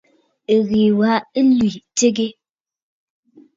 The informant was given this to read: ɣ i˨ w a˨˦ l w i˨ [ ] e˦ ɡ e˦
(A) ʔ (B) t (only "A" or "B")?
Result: B